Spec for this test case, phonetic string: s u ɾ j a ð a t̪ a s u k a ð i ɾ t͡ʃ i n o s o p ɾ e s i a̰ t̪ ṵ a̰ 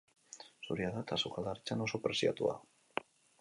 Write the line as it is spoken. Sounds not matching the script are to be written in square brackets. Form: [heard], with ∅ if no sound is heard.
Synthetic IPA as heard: s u ɾ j a ð a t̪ a s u k a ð [a] ɾ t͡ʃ [a] n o s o p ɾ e s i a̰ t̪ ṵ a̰